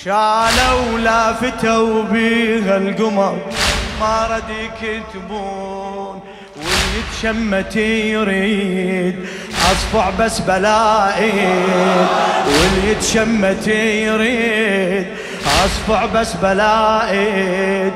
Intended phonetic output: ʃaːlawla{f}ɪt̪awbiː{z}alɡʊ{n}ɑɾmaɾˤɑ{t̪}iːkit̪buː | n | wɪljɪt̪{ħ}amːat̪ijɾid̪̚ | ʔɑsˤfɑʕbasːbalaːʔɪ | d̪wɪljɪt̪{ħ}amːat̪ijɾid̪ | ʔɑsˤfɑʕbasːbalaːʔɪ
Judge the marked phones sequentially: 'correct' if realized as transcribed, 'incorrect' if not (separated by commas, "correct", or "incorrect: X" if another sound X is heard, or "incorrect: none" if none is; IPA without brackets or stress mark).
correct, incorrect: ɣ, incorrect: m, incorrect: d̪, incorrect: ʃ, incorrect: ʃ